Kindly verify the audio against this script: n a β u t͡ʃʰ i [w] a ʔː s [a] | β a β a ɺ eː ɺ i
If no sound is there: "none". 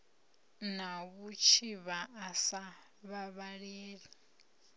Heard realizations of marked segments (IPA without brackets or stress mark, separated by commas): β, a